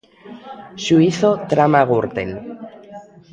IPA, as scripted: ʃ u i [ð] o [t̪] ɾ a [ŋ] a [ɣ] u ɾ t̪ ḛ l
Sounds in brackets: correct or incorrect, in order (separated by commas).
incorrect, correct, incorrect, correct